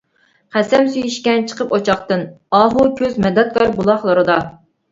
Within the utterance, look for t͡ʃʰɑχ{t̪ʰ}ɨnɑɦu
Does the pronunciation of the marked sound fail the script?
yes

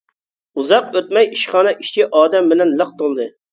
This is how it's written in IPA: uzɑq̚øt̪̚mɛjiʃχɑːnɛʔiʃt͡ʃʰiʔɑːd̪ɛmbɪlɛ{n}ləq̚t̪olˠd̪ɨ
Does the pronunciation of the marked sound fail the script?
no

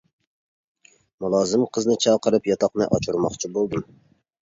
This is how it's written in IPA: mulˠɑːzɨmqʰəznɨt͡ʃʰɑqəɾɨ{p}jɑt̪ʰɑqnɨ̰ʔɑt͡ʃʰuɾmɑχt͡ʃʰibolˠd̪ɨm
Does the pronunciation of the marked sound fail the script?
no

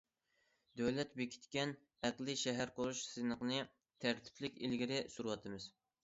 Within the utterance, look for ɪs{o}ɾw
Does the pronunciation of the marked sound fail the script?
yes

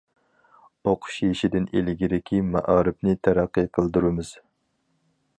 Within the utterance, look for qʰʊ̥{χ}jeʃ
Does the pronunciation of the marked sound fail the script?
yes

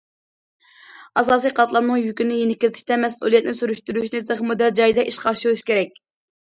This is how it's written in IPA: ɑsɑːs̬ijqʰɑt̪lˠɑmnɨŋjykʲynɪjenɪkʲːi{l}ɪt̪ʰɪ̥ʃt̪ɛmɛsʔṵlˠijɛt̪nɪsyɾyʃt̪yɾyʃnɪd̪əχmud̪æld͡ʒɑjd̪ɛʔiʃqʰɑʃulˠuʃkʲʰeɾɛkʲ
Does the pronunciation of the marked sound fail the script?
no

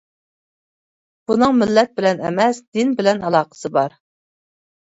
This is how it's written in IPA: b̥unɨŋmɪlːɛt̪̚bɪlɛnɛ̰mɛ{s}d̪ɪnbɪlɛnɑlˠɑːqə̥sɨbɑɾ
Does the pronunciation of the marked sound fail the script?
no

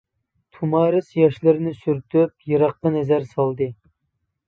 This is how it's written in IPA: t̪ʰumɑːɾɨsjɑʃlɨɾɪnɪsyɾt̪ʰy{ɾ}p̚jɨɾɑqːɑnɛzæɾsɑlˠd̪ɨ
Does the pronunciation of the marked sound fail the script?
yes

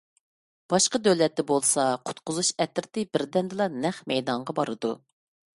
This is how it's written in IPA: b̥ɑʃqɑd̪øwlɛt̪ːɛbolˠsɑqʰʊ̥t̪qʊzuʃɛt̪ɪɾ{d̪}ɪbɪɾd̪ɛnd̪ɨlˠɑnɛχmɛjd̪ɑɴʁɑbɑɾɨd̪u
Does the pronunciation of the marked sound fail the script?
yes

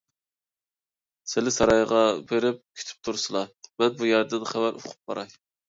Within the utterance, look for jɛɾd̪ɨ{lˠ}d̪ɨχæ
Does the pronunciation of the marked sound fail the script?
yes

